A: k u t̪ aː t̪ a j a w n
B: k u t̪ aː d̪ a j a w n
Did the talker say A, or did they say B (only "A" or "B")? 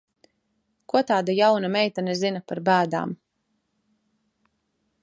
B